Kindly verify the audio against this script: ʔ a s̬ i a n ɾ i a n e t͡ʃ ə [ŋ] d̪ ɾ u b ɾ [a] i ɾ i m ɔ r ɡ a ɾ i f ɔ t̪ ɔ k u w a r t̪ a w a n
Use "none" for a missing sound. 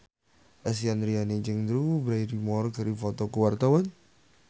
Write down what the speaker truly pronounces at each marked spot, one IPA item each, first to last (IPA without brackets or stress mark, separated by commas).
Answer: ŋ, a